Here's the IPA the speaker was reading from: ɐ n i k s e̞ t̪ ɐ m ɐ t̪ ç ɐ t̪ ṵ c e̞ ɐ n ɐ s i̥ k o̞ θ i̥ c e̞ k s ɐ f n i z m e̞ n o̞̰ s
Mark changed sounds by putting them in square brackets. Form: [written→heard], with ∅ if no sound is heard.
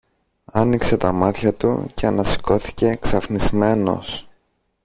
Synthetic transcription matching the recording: ɐ n i k s e̞ t̪ ɐ m ɐ t̪ ç ɐ t̪ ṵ c e̞ ɐ n ɐ s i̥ k o̞ θ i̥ c e̞ k s ɐ f n i z m e̞ n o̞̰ s